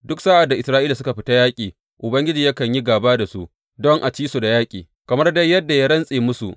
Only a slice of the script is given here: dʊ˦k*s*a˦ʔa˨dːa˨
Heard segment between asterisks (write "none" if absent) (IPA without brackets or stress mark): s